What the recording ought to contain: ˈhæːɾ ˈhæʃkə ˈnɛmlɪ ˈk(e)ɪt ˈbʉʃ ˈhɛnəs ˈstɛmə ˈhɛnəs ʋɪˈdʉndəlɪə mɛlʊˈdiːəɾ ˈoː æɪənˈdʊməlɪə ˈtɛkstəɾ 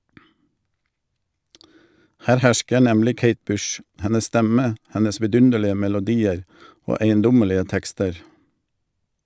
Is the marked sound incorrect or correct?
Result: correct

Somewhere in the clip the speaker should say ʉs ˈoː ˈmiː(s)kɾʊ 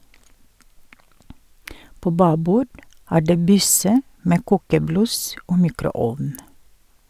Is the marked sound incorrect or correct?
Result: incorrect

